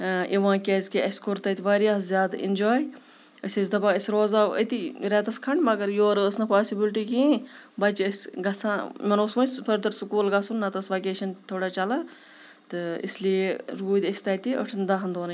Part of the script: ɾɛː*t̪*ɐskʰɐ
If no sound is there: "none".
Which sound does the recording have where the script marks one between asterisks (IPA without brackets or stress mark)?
t̪